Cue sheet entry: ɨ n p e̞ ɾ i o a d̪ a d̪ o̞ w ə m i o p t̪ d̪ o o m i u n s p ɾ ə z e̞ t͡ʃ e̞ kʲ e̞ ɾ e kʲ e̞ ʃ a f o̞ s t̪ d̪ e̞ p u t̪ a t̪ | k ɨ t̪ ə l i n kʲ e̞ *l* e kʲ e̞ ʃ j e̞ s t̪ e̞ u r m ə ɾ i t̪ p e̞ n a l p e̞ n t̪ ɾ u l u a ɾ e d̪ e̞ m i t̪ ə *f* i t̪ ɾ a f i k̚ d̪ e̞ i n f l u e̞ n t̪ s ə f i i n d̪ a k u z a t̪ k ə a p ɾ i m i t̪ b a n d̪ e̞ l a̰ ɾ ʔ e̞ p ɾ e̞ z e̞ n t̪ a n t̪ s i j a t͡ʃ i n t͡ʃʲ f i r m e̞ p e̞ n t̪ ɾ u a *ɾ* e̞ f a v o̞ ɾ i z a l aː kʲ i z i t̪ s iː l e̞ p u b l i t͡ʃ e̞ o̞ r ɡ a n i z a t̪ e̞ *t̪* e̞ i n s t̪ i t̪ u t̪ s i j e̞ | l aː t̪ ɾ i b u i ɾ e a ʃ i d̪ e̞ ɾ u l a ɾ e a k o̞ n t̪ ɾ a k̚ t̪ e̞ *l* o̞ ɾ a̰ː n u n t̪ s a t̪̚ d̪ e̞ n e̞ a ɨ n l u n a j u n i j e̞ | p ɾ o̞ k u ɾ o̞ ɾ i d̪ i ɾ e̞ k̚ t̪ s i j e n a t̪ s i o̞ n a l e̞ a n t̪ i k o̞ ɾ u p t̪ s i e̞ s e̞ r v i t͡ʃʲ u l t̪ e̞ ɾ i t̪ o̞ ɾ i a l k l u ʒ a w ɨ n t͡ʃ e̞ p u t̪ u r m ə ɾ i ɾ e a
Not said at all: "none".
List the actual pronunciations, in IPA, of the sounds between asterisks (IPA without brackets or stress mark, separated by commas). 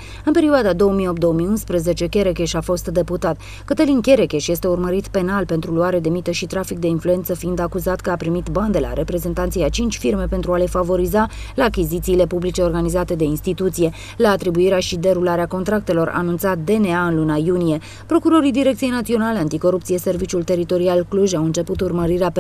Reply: ɾ, ʃ, l, d̪, l